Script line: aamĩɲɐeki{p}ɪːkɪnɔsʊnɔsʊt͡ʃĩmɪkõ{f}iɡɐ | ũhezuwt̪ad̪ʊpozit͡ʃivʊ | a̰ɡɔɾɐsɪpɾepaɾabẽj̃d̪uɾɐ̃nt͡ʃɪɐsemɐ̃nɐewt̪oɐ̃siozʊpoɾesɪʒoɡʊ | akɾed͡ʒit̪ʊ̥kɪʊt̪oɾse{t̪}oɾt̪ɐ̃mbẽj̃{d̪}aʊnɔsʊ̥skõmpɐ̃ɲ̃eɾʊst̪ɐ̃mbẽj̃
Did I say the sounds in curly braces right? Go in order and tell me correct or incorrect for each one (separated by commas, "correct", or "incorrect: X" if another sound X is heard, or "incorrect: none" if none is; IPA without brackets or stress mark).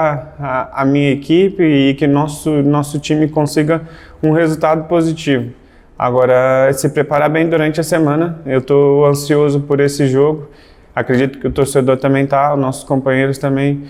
correct, incorrect: s, incorrect: d̪, incorrect: t̪